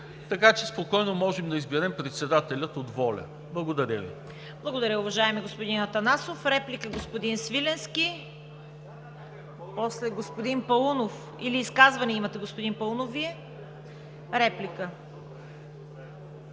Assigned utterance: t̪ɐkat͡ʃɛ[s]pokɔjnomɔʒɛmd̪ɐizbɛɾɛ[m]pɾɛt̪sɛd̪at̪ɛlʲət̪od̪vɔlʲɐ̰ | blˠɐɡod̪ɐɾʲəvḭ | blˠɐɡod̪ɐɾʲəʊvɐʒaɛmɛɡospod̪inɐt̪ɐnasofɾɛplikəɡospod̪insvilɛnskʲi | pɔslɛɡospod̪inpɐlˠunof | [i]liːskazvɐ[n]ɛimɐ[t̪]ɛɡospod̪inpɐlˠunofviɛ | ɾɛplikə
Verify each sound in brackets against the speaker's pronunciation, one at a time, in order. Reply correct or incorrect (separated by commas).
correct, correct, correct, correct, correct